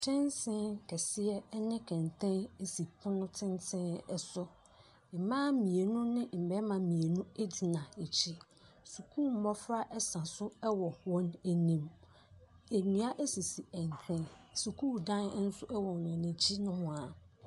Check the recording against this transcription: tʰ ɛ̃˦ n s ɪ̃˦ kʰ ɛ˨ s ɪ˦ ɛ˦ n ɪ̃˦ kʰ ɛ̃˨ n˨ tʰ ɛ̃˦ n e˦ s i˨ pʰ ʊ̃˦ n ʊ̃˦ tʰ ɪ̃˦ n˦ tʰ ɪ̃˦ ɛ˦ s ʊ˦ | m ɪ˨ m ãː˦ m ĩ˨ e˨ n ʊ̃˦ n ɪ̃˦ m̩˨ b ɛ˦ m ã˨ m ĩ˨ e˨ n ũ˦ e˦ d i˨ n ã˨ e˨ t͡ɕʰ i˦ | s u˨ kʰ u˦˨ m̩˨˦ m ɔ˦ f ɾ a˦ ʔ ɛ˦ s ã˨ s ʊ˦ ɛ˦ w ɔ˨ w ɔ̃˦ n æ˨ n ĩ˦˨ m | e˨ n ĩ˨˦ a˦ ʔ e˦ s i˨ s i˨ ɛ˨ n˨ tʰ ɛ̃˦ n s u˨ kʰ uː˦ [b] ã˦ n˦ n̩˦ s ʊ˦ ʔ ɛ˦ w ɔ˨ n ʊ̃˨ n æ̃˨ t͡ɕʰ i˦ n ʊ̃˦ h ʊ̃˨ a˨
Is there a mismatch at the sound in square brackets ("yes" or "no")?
yes